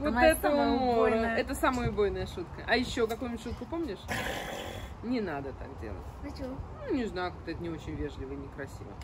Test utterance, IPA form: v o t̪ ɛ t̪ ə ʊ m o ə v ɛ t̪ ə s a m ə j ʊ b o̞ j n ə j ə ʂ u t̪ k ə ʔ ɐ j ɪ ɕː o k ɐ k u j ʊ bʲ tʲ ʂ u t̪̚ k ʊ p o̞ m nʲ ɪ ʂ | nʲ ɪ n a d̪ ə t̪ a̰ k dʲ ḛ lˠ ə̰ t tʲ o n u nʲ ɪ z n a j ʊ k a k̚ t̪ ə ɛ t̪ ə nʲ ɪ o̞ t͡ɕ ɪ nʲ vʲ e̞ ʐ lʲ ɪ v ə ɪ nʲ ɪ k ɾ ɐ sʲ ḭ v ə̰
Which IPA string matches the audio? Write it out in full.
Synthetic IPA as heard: v o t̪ ɛ t̪ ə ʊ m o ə ɛ t̪ ə s a m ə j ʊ b o̞ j n ə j ə ʂ u t̪ k ə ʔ ɐ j ɪ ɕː o k ɐ k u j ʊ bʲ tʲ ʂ u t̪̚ k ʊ p o̞ m nʲ ɪ ʂ | nʲ ɪ n a d̪ ə t̪ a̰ k dʲ ḛ lˠ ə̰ t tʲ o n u nʲ ɪ z n a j ʊ k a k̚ t̪ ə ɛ t̪ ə nʲ ɪ o̞ t͡ɕ ɪ nʲ vʲ e̞ ʐ lʲ ɪ v ə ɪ nʲ ɪ k ɾ ɐ sʲ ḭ v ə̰